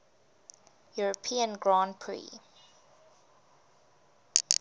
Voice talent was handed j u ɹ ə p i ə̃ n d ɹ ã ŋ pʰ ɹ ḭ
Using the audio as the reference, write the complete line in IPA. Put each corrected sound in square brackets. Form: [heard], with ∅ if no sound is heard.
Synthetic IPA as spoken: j u ɹ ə [pʰ] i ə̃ n [ɡ] ɹ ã [n] pʰ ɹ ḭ